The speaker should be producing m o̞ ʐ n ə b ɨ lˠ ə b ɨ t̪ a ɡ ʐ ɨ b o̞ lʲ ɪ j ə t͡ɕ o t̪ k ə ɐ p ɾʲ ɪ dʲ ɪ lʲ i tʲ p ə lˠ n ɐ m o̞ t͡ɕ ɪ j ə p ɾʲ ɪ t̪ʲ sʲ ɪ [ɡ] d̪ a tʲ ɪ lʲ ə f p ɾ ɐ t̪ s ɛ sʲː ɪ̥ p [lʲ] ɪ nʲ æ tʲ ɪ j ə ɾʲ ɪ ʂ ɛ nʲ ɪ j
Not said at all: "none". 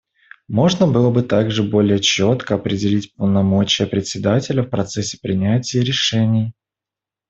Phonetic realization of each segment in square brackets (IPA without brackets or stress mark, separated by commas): none, ɾʲ